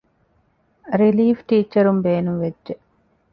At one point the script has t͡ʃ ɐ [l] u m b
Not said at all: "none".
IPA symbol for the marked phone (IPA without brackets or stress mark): ɾ